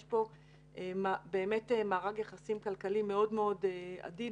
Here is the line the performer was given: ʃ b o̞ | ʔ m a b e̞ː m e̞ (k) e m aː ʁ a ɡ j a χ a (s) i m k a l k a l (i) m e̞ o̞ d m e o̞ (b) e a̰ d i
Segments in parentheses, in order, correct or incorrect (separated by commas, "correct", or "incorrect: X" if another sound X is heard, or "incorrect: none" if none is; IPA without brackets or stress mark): incorrect: t, correct, correct, incorrect: d